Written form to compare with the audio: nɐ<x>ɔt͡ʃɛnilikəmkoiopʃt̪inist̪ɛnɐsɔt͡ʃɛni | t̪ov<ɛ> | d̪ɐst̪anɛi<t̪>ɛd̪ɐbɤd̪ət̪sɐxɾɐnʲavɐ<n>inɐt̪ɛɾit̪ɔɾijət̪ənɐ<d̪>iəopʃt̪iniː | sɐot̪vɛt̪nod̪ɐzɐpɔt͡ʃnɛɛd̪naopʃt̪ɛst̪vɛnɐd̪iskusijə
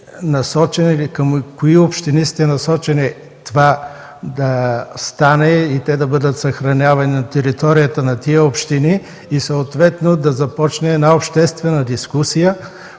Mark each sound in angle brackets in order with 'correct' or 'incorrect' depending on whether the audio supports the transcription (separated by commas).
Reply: incorrect, incorrect, correct, correct, incorrect